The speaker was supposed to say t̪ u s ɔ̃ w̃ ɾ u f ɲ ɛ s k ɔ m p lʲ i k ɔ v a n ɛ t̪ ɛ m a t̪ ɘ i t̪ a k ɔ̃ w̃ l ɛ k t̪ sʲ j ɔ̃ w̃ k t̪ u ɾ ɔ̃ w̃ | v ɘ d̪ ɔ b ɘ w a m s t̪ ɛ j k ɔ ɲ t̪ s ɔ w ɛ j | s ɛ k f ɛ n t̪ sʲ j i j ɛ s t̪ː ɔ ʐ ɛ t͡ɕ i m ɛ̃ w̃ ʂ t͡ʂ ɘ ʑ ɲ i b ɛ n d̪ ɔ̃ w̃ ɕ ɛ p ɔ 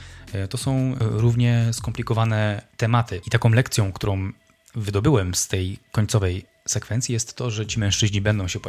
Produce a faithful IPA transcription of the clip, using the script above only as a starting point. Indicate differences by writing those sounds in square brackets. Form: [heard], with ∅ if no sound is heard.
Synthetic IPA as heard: t̪ [ɔ] s ɔ̃ w̃ ɾ u [v] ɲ ɛ s k ɔ m p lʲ i k ɔ v a n ɛ t̪ ɛ m a t̪ ɘ i t̪ a k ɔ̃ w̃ l ɛ k t̪ sʲ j ɔ̃ w̃ k t̪ u ɾ ɔ̃ w̃ | v ɘ d̪ ɔ b ɘ w [ɛ] m s t̪ ɛ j k ɔ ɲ t̪ s ɔ [v] ɛ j | s ɛ k f ɛ n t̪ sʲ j i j ɛ s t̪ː ɔ ʐ ɛ t͡ɕ i m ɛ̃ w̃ ʂ t͡ʂ ɘ ʑ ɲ i b ɛ n d̪ ɔ̃ w̃ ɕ ɛ p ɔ